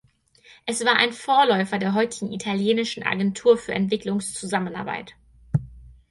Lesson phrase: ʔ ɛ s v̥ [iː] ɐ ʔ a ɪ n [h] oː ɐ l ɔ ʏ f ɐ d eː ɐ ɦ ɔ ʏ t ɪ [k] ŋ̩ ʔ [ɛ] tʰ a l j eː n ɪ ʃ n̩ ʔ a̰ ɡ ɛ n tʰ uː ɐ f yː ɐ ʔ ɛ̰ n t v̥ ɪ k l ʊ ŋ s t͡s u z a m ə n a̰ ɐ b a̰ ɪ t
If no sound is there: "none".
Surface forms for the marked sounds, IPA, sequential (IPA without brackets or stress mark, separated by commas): aː, f, ɡ, i